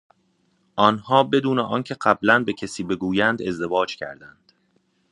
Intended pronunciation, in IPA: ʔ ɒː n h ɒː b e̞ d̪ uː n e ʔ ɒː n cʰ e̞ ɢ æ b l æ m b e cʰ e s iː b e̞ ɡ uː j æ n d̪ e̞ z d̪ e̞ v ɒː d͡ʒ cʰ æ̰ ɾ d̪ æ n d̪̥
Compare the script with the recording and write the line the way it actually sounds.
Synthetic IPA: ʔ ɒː n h ɒː b e̞ d̪ uː n e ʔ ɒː n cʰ e̞ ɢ æ b l æ n b e cʰ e s iː b e̞ ɡ uː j æ n d̪ e̞ z d̪ e̞ v ɒː d͡ʒ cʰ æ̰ ɾ d̪ æ n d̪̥